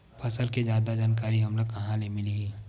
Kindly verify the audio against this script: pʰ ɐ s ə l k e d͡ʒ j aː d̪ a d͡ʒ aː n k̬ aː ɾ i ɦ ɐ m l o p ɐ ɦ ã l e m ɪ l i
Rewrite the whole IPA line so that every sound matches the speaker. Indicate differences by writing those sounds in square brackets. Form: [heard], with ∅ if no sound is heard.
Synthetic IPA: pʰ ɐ s ə l k e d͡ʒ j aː d̪ a d͡ʒ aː n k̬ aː ɾ i ɦ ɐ m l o [k] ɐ ɦ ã l e m ɪ l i